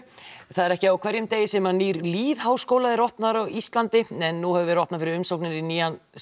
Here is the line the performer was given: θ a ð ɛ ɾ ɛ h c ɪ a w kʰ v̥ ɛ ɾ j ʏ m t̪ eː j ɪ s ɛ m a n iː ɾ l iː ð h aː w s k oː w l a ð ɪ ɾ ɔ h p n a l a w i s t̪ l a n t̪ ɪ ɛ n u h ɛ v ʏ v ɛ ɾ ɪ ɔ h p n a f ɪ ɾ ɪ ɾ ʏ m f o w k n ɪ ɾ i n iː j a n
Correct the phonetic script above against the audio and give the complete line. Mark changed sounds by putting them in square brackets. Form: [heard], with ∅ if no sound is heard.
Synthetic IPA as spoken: θ a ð ɛ ɾ ɛ h c ɪ a w kʰ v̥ ɛ ɾ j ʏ m t̪ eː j ɪ s ɛ m a n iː ɾ l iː ð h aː w s k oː w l a ð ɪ ɾ ɔ h p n a [ɾ] a w i s t̪ l a n t̪ ɪ ɛ [nː] u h ɛ v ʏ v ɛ ɾ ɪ ɔ h p n a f ɪ ɾ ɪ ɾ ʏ m [s] o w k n ɪ ɾ i n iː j a n